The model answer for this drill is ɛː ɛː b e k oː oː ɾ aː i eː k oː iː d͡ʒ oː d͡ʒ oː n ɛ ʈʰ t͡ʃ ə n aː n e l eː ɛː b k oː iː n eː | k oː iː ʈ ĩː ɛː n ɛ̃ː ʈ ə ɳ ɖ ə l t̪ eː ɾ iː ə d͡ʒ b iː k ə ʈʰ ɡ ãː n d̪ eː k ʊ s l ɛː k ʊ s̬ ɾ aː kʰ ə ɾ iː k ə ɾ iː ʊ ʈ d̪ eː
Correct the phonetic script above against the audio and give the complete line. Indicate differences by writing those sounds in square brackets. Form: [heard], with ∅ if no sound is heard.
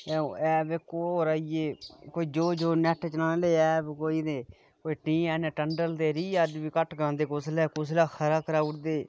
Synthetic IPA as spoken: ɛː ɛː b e k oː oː ɾ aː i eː k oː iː d͡ʒ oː d͡ʒ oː n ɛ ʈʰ t͡ʃ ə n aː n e l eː ɛː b k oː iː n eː | k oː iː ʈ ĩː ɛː n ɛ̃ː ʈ ə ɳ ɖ ə l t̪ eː ɾ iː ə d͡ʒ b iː k ə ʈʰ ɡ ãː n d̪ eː k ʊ s l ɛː k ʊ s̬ [l] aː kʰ ə ɾ [aː] k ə ɾ [aː] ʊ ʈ d̪ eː